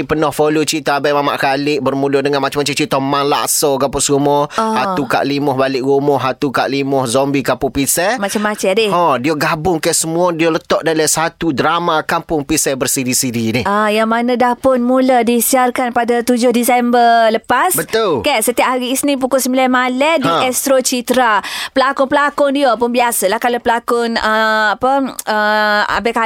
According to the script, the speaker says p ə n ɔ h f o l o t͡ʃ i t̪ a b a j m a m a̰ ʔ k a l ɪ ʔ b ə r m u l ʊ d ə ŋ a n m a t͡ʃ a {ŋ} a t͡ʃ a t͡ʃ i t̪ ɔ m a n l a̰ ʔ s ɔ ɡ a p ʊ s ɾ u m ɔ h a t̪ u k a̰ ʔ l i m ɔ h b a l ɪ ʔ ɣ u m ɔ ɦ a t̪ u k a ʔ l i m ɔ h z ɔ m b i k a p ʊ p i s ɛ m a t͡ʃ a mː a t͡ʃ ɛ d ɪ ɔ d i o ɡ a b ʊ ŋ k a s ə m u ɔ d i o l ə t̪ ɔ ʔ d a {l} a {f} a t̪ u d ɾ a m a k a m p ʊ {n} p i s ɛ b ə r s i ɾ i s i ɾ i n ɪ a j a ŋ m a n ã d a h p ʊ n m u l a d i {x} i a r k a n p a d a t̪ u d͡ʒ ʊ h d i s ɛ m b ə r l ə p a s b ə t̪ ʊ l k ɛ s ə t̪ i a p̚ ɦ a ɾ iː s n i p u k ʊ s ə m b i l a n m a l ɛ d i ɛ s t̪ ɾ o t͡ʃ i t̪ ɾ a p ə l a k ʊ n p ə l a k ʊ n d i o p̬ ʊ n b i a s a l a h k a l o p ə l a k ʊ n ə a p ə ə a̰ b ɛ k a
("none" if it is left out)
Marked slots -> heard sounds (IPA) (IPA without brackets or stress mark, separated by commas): m, l, s, ŋ, s